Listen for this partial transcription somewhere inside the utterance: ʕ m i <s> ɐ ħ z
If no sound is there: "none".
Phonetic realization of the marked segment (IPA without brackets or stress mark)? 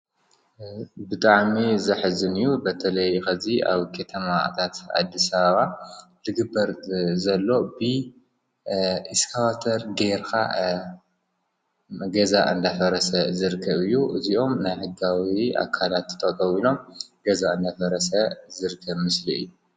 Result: z